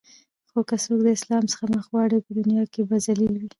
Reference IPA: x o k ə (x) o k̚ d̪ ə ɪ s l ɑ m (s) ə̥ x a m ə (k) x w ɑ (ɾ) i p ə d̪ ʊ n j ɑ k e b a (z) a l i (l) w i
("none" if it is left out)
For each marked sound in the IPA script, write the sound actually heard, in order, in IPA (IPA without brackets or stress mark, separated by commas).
s, s, none, ɽ, z, l